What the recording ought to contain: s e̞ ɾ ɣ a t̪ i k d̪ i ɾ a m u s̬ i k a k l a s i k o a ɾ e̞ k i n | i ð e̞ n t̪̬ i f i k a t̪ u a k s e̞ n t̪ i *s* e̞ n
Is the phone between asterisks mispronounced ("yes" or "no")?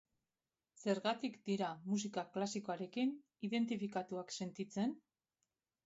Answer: yes